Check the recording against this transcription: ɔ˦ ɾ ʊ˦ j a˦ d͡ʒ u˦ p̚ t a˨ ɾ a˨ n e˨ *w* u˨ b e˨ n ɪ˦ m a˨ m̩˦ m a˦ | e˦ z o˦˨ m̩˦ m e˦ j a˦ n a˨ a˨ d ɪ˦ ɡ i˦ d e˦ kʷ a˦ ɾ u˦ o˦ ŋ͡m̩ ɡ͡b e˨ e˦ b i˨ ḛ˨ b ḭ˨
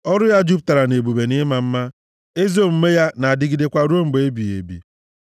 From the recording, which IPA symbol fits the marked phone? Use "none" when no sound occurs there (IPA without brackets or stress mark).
b